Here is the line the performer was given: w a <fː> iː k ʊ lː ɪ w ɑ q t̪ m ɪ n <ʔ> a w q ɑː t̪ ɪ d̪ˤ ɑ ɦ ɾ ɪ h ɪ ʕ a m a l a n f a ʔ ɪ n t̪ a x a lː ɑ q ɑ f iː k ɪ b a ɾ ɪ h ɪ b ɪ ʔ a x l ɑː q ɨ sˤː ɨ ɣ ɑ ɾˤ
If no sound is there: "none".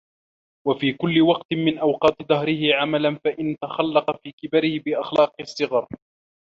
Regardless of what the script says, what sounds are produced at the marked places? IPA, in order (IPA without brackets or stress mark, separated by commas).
f, ʔ